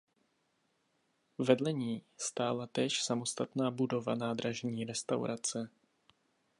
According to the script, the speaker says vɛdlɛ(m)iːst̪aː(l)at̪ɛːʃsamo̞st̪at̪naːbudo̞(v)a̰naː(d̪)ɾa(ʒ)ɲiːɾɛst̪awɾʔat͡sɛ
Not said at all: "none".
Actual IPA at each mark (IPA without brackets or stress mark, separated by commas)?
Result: ɲ, l, v, d̪, ʒ